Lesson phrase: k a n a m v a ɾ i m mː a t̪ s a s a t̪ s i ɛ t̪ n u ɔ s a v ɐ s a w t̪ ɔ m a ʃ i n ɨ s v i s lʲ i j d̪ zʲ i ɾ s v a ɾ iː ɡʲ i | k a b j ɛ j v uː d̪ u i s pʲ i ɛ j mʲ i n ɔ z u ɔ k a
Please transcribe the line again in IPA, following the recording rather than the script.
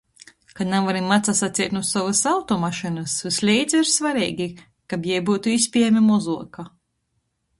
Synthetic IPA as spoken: k a n a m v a ɾ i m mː a t̪ s a s a t̪ s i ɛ t̪ n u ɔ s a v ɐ s a w t̪ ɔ m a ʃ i n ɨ s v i s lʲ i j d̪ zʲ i ɾ s v a ɾ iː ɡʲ i | k a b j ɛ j b uː t̪ u i s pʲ i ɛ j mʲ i m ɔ z u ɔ k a